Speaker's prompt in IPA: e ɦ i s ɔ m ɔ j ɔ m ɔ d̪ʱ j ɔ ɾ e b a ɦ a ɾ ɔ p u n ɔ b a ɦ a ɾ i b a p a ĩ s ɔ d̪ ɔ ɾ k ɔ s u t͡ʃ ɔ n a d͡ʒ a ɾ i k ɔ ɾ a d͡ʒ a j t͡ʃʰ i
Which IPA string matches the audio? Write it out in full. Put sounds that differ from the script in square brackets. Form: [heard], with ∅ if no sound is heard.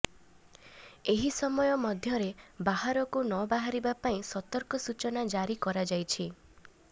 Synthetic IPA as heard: e ɦ i s ɔ m ɔ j ɔ m ɔ d̪ʱ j ɔ ɾ e b a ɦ a ɾ ɔ [k] u n ɔ b a ɦ a ɾ i b a p a ĩ s ɔ [t̪] ɔ ɾ k ɔ s u t͡ʃ ɔ n a d͡ʒ a ɾ i k ɔ ɾ a d͡ʒ a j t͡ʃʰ i